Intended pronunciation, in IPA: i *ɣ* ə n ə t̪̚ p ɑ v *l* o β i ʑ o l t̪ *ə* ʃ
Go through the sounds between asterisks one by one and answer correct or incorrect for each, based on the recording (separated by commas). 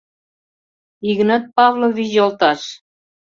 correct, correct, incorrect